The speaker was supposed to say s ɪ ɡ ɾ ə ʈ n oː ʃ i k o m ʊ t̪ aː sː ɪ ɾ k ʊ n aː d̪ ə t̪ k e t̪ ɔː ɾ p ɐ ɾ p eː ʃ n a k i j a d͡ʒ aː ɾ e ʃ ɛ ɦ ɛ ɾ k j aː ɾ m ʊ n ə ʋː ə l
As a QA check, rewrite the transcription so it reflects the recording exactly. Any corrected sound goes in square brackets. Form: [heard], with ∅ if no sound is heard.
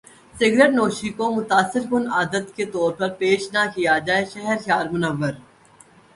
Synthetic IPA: s ɪ ɡ ɾ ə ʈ n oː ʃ i k o m ʊ t̪ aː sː ɪ ɾ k ʊ n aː d̪ ə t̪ k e t̪ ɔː ɾ p ɐ ɾ p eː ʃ n a k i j a d͡ʒ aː [∅] e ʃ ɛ ɦ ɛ ɾ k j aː ɾ m ʊ n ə ʋː ə [ɾ]